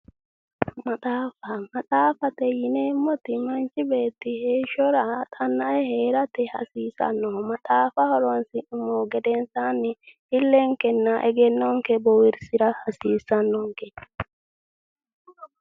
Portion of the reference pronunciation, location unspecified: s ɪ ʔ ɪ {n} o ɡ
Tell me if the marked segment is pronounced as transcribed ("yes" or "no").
no